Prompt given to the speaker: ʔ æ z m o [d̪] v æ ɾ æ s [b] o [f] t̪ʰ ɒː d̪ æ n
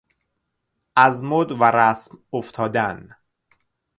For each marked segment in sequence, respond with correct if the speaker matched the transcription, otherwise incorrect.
correct, incorrect, correct

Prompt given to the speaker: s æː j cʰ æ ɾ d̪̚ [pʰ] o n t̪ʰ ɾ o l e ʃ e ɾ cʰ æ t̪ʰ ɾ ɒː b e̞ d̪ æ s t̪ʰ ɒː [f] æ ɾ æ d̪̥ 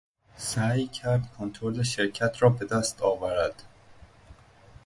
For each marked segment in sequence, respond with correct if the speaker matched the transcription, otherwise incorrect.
incorrect, incorrect

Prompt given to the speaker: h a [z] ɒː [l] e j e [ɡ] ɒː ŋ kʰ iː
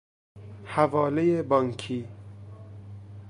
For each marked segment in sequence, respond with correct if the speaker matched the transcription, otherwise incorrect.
incorrect, correct, incorrect

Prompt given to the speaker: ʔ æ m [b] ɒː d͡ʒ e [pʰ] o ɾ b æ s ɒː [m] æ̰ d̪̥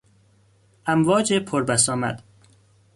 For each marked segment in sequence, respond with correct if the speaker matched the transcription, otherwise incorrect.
incorrect, correct, correct

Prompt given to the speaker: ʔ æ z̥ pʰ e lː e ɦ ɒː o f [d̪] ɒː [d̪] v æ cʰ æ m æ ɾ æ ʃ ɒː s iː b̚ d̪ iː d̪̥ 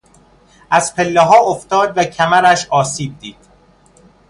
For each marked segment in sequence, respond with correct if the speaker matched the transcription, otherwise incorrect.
incorrect, correct

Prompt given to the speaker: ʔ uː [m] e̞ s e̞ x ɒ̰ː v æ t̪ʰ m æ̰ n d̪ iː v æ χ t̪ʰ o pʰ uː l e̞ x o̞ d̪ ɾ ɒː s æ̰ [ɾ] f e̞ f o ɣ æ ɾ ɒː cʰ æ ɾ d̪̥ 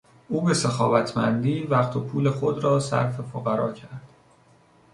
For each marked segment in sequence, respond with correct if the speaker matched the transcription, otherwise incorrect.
incorrect, correct

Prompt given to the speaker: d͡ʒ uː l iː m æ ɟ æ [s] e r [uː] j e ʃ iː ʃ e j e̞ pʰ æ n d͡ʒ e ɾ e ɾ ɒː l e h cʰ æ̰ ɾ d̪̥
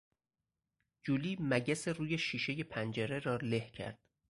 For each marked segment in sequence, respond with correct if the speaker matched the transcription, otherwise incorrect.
correct, correct

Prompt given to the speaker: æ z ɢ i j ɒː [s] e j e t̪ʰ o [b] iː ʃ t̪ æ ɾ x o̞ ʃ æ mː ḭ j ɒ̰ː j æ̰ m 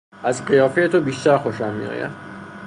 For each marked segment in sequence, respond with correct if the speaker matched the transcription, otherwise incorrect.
incorrect, correct

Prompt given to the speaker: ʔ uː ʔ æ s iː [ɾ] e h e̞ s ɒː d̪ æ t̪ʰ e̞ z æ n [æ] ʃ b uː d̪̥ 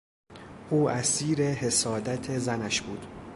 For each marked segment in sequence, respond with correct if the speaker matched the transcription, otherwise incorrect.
correct, correct

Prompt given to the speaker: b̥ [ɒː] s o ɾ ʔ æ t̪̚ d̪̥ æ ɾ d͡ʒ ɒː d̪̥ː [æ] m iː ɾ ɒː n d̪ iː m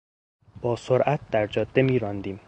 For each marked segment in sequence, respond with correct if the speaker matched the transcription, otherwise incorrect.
correct, incorrect

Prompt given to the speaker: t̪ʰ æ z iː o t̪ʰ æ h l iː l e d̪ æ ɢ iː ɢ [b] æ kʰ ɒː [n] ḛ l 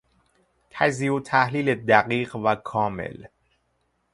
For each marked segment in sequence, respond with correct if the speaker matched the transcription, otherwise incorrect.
incorrect, incorrect

